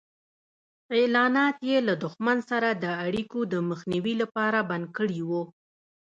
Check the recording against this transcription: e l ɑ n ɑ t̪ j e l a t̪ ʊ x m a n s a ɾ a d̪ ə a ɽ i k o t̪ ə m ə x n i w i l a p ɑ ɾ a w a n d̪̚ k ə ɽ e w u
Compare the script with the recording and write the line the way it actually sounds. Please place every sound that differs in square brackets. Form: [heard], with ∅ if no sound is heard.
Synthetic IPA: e l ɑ n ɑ t̪ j e l a [d̪] ʊ x m a n s a ɾ a d̪ ə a ɽ i k o [d̪] ə m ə x n i w i l a p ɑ ɾ a [b] a n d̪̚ k ə ɽ [i] w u